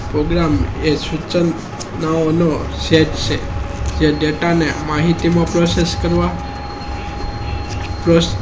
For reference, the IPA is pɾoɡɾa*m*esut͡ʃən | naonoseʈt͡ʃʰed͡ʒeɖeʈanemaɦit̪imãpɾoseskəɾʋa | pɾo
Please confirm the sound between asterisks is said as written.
yes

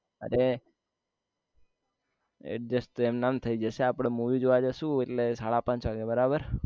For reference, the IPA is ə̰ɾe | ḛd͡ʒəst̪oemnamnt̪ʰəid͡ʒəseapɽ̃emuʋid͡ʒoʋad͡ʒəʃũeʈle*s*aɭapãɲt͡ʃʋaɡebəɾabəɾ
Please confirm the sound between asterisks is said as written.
yes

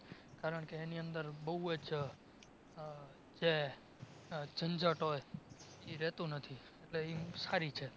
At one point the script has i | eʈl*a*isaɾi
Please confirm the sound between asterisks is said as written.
no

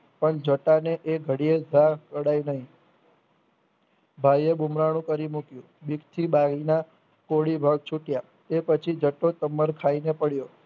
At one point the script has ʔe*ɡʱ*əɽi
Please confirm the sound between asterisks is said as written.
yes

